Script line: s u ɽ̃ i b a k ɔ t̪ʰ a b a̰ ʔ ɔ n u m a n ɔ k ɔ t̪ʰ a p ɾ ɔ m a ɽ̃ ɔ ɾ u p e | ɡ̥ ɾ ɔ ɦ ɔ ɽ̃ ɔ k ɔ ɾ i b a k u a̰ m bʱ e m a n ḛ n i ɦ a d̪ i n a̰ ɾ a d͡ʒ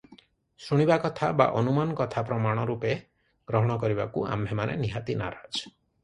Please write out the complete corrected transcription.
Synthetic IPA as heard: s u ɽ̃ i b a k ɔ t̪ʰ a b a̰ ʔ ɔ n u m a n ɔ k ɔ t̪ʰ a p ɾ ɔ m a ɽ̃ ɔ ɾ u p e | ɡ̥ ɾ ɔ ɦ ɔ ɽ̃ ɔ k ɔ ɾ i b a k u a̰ m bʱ e m a n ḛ n i ɦ a t̪ i n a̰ ɾ a d͡ʒ